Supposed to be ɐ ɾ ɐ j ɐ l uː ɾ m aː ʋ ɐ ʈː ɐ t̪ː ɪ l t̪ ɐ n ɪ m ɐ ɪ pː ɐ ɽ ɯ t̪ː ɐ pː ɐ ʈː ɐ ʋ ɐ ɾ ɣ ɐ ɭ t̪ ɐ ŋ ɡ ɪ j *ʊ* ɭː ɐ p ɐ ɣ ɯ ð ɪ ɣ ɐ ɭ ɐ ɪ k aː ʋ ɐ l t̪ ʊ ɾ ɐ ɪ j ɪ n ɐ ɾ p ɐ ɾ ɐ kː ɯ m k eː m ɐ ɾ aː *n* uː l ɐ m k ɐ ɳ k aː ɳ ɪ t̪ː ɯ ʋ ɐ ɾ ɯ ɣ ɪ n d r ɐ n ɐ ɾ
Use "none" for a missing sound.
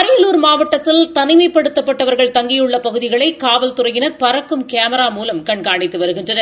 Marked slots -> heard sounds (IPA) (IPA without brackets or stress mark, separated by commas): ɯ, m